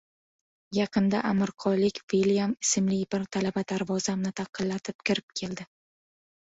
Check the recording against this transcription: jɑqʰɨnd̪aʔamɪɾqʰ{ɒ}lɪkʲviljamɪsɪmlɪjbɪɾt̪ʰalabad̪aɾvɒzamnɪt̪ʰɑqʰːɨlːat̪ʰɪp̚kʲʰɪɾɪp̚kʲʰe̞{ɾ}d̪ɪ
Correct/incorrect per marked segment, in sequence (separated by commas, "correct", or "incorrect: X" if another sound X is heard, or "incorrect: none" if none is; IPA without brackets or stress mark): correct, incorrect: l